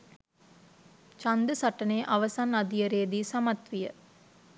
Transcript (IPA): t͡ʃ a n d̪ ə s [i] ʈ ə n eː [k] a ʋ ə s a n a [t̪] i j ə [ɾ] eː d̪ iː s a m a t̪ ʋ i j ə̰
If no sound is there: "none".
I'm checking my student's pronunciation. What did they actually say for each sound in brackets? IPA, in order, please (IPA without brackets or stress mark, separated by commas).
a, ʔ, d̪, ɾ